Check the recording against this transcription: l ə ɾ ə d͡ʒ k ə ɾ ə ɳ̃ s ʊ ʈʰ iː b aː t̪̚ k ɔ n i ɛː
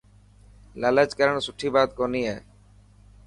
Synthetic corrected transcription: l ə l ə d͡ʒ k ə ɾ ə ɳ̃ s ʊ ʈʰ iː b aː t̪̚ k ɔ n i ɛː